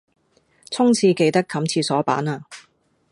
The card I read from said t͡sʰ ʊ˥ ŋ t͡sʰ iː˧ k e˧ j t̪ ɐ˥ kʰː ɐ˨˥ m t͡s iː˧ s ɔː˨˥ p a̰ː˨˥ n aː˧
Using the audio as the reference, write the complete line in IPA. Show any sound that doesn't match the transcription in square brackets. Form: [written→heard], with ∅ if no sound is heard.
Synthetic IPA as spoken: t͡sʰ ʊ˥ ŋ t͡sʰ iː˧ k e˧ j t̪ ɐ˥ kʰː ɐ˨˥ m [t͡s→t͡sʰ] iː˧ s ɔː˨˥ p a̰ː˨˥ n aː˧